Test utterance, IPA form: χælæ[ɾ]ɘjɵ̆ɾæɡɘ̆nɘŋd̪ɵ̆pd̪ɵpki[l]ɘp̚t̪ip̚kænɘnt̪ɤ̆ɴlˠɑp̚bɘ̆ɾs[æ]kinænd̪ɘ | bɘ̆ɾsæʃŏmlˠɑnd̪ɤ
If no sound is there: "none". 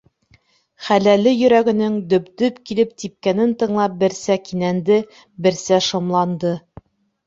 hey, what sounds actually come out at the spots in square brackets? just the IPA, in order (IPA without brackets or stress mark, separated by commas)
l, l, æ